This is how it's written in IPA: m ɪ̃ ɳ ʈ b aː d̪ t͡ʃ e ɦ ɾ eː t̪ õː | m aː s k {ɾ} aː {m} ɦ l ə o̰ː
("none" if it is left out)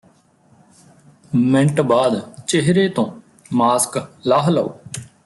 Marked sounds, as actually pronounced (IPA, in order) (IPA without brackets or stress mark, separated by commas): l, none